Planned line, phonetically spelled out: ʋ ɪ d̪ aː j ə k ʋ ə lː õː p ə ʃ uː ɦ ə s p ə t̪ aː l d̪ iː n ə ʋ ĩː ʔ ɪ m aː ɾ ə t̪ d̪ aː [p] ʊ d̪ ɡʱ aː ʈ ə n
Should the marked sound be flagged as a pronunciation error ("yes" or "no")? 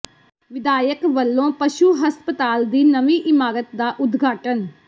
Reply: yes